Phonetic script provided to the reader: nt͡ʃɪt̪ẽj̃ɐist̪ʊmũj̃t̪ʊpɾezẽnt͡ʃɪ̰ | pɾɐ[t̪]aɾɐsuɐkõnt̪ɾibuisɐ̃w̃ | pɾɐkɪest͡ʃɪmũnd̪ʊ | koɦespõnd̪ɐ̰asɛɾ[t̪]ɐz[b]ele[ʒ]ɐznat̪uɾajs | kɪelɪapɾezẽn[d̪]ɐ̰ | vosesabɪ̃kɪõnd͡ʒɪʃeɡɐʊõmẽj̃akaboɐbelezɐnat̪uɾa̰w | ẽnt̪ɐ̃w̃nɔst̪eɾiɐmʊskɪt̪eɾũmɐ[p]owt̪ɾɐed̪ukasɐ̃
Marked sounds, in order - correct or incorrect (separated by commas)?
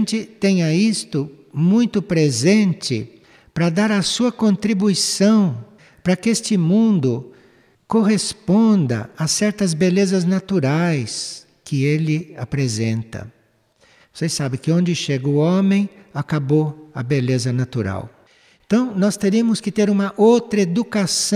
incorrect, correct, correct, incorrect, incorrect, incorrect